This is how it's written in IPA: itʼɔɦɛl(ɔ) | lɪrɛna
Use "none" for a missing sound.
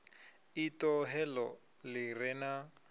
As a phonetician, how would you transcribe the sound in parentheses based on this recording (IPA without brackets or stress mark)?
ɔ